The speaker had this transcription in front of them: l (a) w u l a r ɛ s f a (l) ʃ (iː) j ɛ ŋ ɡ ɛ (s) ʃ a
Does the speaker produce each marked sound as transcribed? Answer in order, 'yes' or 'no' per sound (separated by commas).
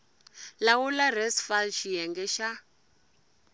yes, yes, no, no